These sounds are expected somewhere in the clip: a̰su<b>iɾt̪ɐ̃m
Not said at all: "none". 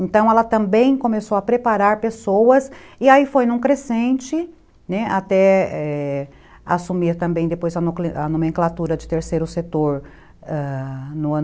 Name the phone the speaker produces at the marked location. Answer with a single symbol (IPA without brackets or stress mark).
m